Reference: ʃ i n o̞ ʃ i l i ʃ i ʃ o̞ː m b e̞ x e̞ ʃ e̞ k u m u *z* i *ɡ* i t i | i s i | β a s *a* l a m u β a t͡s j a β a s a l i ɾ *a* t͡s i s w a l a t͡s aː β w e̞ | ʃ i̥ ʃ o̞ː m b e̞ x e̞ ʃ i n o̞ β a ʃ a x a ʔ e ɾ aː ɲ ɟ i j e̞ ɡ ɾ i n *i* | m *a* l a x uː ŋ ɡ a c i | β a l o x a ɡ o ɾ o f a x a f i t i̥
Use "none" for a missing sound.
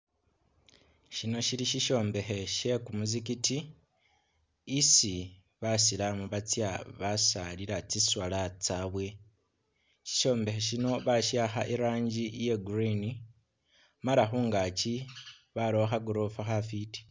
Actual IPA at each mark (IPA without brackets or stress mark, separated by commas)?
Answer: z, k, i, a, i, a